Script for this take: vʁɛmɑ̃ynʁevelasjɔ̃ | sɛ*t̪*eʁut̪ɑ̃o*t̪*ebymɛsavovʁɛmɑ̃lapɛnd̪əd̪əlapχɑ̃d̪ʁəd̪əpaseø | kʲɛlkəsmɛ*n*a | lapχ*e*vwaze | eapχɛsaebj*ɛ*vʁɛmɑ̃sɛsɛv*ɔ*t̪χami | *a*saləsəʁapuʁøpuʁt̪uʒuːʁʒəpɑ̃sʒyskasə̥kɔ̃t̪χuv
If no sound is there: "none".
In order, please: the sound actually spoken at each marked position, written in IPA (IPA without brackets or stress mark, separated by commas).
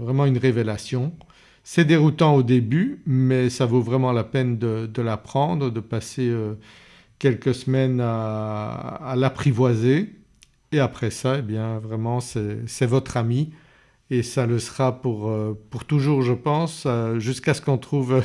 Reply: d̪, d̪, n, i, ɛ̃, ɔ, e